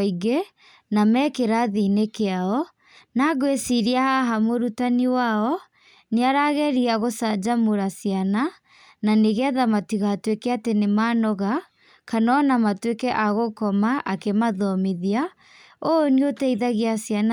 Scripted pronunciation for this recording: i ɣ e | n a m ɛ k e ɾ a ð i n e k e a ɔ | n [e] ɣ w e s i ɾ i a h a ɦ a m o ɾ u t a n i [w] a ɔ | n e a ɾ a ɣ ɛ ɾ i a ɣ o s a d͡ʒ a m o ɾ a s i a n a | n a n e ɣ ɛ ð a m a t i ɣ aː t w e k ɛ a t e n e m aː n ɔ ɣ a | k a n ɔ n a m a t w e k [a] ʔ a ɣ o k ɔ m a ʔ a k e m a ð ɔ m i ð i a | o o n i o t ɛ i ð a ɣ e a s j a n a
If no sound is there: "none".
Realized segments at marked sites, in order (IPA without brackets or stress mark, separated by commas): a, w, ɛ